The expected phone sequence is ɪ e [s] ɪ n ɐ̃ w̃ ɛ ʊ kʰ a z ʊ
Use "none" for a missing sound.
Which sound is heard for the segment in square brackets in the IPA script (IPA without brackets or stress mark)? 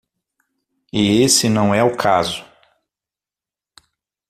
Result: s